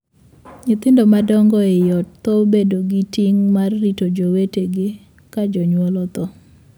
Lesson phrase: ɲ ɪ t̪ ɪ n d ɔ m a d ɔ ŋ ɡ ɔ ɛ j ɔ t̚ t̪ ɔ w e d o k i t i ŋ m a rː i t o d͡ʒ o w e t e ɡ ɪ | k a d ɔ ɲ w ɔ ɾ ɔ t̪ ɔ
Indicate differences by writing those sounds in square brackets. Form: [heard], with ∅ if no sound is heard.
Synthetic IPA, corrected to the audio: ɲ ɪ t̪ ɪ n d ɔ m a d ɔ ŋ ɡ ɔ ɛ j ɔ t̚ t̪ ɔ [b] e d o [ɡ] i t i ŋ m a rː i t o d͡ʒ o w e t e ɡ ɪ | k a [d͡ʒ] ɔ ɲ w ɔ [l] ɔ t̪ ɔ

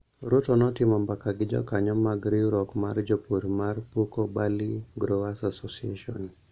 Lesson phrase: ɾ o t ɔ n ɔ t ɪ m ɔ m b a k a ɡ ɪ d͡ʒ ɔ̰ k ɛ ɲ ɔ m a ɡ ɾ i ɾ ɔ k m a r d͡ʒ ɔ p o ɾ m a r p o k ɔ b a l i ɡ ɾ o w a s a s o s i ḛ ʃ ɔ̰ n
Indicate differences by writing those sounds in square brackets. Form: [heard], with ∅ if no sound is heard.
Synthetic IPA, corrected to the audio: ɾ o t ɔ n ɔ t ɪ m ɔ m b a k a ɡ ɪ d͡ʒ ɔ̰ k [a] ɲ ɔ m a ɡ ɾ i ɾ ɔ k m a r d͡ʒ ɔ p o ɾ m a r p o k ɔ b a l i ɡ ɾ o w a s a s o s i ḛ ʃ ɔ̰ n

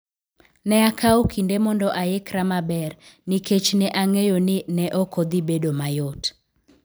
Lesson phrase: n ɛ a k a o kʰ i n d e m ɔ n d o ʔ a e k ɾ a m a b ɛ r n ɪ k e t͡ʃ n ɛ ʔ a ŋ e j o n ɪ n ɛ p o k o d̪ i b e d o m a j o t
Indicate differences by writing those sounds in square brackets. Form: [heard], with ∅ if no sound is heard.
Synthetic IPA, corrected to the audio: n ɛ a k a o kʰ i n d e m ɔ n d [ɔ] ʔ a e k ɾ a m a b ɛ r n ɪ k e t͡ʃ n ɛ ʔ a ŋ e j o n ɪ n ɛ [ʔ] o k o d̪ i b e d o m a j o t

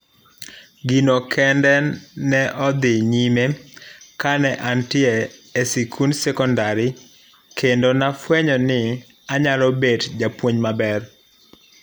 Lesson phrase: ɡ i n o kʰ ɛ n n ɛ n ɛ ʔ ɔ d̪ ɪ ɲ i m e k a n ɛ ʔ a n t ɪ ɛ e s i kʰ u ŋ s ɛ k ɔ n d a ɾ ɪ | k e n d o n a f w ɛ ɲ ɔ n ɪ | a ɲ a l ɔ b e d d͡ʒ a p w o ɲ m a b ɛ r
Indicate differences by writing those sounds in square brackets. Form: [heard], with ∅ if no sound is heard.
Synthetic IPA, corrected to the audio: ɡ i n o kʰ ɛ n [d] ɛ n ɛ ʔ ɔ d̪ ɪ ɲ i m e k a n ɛ ʔ a n t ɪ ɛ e s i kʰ u [n] s ɛ k ɔ n d a ɾ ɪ | k e n d o n a f w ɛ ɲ ɔ n ɪ | a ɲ a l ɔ b e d d͡ʒ a p w o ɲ m a b ɛ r

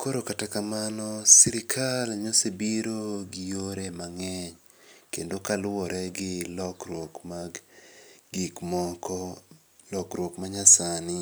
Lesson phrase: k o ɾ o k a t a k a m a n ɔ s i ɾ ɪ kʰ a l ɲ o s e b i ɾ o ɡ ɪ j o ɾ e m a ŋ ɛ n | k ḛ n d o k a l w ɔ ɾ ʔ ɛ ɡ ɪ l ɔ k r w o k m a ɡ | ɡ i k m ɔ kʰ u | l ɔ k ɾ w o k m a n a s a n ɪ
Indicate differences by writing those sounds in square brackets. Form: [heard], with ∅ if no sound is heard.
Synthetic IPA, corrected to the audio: k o ɾ o k a t a k a m a n ɔ s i ɾ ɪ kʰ a l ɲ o s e b i ɾ o ɡ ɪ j o ɾ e m a ŋ ɛ [ɲ] | k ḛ n d o k a l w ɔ ɾ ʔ ɛ ɡ ɪ l ɔ k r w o k m a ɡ | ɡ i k m ɔ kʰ [ɔ] | l ɔ k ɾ w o k m a [ɲ] a s a n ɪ

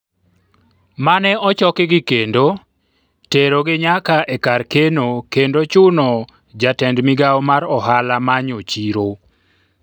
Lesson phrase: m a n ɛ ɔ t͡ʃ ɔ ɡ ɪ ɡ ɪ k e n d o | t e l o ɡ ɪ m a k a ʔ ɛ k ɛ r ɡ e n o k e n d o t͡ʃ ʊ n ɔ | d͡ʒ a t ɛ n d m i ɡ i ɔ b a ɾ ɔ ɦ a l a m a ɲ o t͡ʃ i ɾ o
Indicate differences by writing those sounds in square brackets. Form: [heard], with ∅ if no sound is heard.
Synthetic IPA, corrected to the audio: m a n ɛ ɔ t͡ʃ ɔ [k] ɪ ɡ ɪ k e n d o | t e [ɾ] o ɡ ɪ [ɲ] a k a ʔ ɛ k [a] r [k] e n o k e n d o t͡ʃ ʊ n ɔ | d͡ʒ a t ɛ n d m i ɡ [a] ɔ [m] a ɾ ɔ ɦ a l a m a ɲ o t͡ʃ i ɾ o

